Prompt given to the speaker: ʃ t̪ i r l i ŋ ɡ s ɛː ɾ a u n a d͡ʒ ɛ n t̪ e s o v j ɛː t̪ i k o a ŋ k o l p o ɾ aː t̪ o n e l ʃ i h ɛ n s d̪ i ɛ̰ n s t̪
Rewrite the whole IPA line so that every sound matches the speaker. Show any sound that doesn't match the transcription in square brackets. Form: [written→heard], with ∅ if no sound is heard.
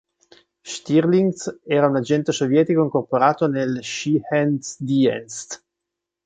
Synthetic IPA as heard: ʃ t̪ i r l i ŋ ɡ s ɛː ɾ a u n a d͡ʒ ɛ n t̪ e s o v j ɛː t̪ i k o [a→i] ŋ k o [l→r] p o ɾ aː t̪ o n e l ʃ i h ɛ n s d̪ i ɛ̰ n s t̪